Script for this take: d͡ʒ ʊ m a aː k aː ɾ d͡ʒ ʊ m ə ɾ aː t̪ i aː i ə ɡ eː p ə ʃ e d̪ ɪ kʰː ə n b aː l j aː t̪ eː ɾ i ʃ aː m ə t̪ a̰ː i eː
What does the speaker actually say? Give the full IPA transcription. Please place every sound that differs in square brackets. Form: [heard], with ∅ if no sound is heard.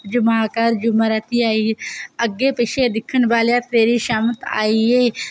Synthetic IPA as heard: d͡ʒ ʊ m a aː k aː ɾ d͡ʒ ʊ m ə ɾ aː t̪ i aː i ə ɡ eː p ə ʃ e d̪ ɪ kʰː ə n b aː l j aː t̪ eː ɾ i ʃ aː m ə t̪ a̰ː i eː